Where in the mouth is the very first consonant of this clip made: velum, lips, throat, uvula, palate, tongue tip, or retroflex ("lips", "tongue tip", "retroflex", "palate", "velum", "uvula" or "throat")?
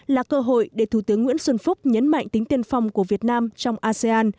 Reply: tongue tip